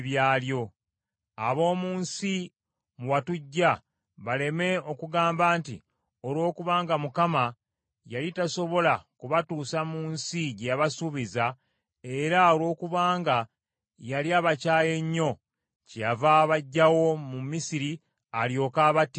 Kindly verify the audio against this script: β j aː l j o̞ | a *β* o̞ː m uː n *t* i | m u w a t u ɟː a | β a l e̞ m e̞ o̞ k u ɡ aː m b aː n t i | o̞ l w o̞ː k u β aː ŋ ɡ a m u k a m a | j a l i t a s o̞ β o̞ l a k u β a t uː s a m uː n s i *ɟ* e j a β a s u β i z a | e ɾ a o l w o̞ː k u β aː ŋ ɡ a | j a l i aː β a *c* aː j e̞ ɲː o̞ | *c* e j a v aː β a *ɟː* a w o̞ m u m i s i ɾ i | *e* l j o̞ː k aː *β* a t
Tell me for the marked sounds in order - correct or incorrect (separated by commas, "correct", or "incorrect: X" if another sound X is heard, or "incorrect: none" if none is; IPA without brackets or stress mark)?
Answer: correct, incorrect: s, correct, correct, correct, correct, incorrect: a, correct